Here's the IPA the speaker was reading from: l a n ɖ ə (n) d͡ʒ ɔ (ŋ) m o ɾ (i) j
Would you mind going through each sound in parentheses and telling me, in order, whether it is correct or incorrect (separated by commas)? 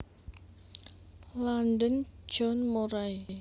correct, incorrect, incorrect